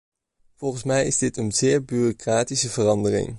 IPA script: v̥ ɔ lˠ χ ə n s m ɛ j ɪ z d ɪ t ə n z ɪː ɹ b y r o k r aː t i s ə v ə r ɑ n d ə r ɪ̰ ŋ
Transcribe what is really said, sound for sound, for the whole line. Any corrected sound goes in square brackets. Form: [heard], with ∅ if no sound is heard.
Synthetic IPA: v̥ ɔ lˠ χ ə n s m ɛ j ɪ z d ɪ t ə n z ɪː ɹ b y r o k r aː t i s ə v ə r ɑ n d ə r ɪ̰ ŋ